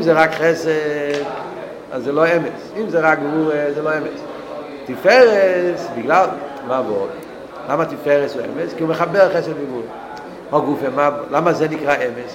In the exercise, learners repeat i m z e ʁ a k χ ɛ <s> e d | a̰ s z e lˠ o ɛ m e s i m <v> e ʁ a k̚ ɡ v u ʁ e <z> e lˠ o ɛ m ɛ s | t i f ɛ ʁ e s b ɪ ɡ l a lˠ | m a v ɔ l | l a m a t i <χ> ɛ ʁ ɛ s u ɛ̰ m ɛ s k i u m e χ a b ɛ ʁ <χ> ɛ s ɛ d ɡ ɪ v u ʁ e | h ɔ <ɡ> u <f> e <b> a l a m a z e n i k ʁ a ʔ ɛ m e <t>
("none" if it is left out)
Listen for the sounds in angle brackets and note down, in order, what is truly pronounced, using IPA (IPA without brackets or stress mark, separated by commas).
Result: s, z, z, f, χ, ɡ, f, m, s